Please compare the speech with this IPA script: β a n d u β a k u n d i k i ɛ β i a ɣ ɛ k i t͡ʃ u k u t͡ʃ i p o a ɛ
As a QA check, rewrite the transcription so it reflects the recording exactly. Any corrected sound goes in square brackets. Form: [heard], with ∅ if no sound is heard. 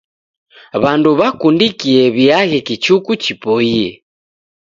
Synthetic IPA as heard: β a n d u β a k u n d i k i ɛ β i a ɣ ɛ k i t͡ʃ u k u t͡ʃ i p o [i] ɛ